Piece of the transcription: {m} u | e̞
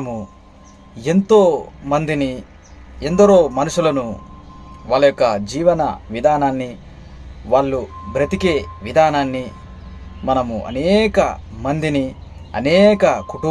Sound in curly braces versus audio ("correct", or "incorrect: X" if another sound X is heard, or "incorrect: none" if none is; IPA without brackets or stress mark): correct